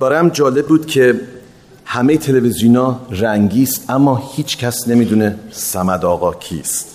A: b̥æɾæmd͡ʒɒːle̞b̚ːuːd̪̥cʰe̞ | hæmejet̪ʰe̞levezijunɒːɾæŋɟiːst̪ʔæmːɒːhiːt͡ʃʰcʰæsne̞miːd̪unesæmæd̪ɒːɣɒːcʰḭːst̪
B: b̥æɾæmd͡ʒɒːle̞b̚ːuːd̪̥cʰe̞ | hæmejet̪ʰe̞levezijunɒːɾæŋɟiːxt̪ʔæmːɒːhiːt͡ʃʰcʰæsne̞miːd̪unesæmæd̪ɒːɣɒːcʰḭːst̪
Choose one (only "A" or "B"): A